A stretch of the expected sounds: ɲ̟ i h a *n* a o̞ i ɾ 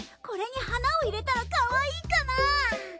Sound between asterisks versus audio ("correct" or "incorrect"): correct